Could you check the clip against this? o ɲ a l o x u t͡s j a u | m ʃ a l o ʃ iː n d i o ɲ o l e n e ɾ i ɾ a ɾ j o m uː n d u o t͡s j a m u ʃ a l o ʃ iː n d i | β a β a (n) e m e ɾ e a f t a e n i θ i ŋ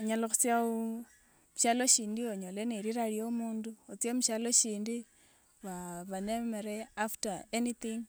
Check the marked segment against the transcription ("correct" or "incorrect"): correct